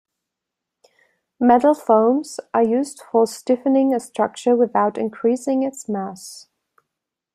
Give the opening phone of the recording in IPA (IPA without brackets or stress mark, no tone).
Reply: m